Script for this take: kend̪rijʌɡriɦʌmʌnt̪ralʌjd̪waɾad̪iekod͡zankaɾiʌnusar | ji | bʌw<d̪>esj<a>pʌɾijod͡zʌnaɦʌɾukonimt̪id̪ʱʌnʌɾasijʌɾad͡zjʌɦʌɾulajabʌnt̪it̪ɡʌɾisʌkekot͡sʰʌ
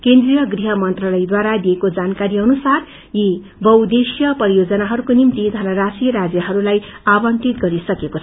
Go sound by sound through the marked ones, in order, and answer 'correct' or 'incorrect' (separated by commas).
correct, incorrect